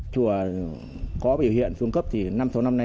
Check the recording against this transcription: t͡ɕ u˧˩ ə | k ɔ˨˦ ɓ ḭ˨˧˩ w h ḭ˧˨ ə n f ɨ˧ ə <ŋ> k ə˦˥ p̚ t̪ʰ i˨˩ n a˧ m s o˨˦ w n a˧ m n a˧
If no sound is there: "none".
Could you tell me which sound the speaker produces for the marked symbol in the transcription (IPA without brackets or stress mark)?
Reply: ŋ